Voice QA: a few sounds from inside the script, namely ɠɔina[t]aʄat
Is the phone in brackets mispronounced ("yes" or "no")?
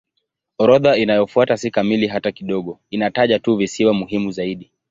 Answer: no